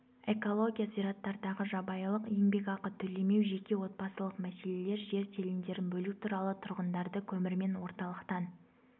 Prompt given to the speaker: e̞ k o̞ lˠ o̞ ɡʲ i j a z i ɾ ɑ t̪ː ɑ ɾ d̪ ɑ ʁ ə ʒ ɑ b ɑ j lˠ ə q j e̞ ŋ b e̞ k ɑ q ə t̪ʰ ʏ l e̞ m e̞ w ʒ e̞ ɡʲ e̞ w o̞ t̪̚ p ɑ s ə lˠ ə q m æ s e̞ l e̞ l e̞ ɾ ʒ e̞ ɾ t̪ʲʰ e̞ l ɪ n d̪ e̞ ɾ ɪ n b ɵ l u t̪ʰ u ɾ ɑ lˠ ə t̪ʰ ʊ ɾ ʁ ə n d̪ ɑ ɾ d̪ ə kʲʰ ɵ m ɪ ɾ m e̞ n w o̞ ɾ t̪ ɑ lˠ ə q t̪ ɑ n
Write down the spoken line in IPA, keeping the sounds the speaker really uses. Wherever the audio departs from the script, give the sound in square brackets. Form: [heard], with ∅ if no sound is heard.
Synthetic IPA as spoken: e̞ k o̞ lˠ o̞ ɡʲ i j a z i ɾ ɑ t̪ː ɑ ɾ d̪ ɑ ʁ ə ʒ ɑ b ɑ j lˠ ə q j e̞ ŋ b e̞ k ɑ q ə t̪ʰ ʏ l e̞ m e̞ w ʒ e̞ [kʲ] e̞ w o̞ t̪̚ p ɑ s ə lˠ ə q m æ s e̞ l e̞ l e̞ ɾ ʒ e̞ ɾ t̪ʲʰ e̞ l ɪ n d̪ e̞ ɾ ɪ n b ɵ l u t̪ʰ u ɾ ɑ lˠ ə t̪ʰ ʊ ɾ ʁ ə n d̪ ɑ ɾ d̪ ə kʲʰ ɵ m ɪ ɾ m e̞ n w o̞ ɾ t̪ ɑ lˠ ə q t̪ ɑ n